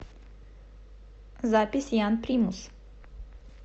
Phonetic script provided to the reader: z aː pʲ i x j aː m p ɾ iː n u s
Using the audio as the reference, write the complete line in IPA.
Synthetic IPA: z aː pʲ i s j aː n p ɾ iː m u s